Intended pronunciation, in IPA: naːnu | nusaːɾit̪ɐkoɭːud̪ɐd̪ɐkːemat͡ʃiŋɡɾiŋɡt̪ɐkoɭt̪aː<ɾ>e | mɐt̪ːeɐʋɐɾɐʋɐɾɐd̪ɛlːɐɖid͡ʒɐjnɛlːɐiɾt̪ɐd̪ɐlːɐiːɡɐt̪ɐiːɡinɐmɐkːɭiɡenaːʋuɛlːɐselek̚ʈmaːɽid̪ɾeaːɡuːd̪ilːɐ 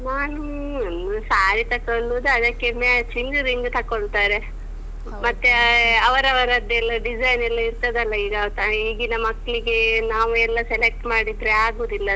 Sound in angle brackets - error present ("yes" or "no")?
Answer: no